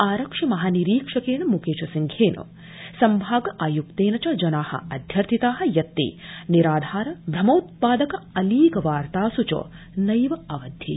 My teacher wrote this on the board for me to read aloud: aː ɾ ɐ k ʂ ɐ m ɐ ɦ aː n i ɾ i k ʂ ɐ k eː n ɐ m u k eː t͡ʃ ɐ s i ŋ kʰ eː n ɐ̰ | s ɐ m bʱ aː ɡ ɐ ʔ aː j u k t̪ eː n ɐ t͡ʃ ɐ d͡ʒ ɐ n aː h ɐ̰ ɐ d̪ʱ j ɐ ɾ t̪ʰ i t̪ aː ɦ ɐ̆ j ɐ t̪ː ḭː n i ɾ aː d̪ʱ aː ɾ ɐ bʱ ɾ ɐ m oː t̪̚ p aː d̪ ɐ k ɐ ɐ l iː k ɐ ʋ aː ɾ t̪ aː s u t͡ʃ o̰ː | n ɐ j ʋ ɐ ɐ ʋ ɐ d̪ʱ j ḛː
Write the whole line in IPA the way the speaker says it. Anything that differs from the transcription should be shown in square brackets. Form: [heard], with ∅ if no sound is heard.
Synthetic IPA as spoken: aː ɾ ɐ k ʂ ɐ m ɐ ɦ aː n i ɾ [iː] k ʂ ɐ k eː n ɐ m u k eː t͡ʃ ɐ s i ŋ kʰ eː n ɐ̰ | s ɐ m bʱ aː ɡ ɐ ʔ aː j u k t̪ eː n ɐ t͡ʃ ɐ d͡ʒ ɐ n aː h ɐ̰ ɐ d̪ʱ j ɐ ɾ t̪ʰ i t̪ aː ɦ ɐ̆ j ɐ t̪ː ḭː n i ɾ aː d̪ʱ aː ɾ ɐ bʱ ɾ ɐ m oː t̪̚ p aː d̪ ɐ k ɐ ɐ l iː k ɐ ʋ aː ɾ t̪ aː s u t͡ʃ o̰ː | n ɐ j ʋ ɐ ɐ ʋ ɐ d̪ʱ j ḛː

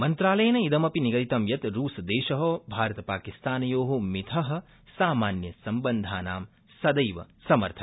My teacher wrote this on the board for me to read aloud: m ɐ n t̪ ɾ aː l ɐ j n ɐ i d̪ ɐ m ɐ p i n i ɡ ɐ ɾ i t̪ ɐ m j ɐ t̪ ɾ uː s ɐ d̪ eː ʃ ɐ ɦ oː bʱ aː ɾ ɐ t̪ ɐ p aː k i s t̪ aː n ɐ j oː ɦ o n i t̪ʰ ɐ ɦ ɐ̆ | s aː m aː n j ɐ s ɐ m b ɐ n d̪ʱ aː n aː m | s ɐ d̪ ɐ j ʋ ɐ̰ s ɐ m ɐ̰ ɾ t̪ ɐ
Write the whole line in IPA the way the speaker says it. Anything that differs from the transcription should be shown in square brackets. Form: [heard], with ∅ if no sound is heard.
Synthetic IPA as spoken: m ɐ n t̪ ɾ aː l ɐ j n ɐ i d̪ ɐ m ɐ p i n i ɡ ɐ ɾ i t̪ ɐ m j ɐ t̪ ɾ uː s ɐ d̪ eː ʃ ɐ ɦ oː bʱ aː ɾ ɐ t̪ ɐ p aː k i s t̪ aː n ɐ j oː ɦ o [m] i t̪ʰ ɐ ɦ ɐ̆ | s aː m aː n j ɐ s ɐ m b ɐ n d̪ʱ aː n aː m | s ɐ d̪ ɐ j ʋ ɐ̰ s ɐ m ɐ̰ ɾ [t̪ʰ] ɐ

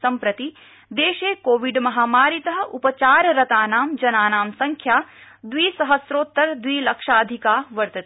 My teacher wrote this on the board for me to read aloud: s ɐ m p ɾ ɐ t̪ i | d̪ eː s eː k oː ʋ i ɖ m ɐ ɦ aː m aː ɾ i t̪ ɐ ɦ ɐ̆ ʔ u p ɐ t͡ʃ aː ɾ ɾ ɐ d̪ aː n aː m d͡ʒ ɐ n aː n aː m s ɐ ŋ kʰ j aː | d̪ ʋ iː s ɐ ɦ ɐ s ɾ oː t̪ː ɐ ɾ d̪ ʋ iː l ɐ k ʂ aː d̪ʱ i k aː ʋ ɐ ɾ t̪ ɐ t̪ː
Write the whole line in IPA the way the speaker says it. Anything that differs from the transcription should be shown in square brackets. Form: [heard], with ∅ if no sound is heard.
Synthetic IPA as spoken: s ɐ m p ɾ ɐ t̪ i | d̪ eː [ʃ] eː k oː ʋ i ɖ m ɐ ɦ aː m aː ɾ i t̪ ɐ ɦ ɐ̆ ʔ u p ɐ t͡ʃ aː ɾ ɾ ɐ [t̪] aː n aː m d͡ʒ ɐ n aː n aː m s ɐ ŋ kʰ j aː | d̪ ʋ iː s ɐ ɦ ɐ s ɾ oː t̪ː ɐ ɾ d̪ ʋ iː l ɐ k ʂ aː d̪ʱ i k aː ʋ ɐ ɾ t̪ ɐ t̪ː

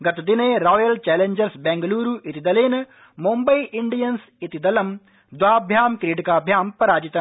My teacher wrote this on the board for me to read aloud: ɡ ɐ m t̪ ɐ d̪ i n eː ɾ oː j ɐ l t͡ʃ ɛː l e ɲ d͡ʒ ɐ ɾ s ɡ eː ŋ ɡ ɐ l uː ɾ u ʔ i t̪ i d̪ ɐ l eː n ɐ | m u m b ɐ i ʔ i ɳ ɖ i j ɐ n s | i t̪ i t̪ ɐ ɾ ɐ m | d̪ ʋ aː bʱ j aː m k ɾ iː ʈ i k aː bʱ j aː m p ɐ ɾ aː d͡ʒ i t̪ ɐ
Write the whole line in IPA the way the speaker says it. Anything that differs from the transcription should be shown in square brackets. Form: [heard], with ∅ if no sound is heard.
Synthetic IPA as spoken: ɡ ɐ [∅] t̪ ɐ d̪ i n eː ɾ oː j ɐ l t͡ʃ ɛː l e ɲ d͡ʒ ɐ ɾ s [b] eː ŋ ɡ ɐ l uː ɾ u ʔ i t̪ i d̪ ɐ l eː n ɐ | m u m b ɐ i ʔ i ɳ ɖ i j ɐ n s | i t̪ i [d̪] ɐ [l] ɐ m | d̪ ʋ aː bʱ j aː m k ɾ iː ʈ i k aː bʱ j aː m p ɐ ɾ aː d͡ʒ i t̪ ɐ

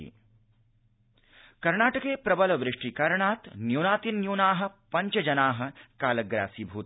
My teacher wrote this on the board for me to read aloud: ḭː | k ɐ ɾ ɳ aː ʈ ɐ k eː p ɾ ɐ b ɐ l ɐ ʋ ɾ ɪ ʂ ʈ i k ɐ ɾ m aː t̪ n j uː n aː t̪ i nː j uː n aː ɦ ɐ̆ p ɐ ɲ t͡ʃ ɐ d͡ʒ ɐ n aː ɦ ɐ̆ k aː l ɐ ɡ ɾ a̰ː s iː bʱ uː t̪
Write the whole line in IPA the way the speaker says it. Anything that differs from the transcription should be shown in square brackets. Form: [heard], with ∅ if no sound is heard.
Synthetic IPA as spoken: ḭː | k ɐ ɾ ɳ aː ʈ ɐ k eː p ɾ ɐ b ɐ l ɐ ʋ ɾ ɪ ʂ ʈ i k ɐ ɾ [ɳ] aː t̪ n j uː n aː t̪ i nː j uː n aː ɦ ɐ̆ p ɐ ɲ t͡ʃ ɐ d͡ʒ ɐ n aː ɦ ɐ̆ k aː l ɐ ɡ ɾ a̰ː s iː bʱ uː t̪

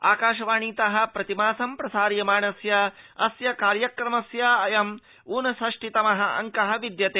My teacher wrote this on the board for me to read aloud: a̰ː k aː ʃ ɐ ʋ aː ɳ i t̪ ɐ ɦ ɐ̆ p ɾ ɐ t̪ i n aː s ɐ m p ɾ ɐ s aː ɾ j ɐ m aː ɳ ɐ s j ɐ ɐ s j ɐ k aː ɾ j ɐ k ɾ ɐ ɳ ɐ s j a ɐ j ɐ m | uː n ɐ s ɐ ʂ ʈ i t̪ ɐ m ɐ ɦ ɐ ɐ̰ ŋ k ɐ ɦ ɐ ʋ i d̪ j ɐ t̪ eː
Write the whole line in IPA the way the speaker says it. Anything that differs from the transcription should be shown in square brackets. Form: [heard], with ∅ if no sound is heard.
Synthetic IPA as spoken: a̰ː k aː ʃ ɐ ʋ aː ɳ [iː] t̪ ɐ ɦ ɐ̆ p ɾ ɐ t̪ i [m] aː s ɐ m p ɾ ɐ s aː ɾ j ɐ m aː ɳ ɐ s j ɐ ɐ s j ɐ k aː ɾ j ɐ k ɾ ɐ [m] ɐ s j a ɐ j ɐ m | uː n ɐ s ɐ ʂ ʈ i t̪ ɐ m ɐ ɦ ɐ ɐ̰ ŋ k ɐ ɦ ɐ ʋ i d̪ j ɐ t̪ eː

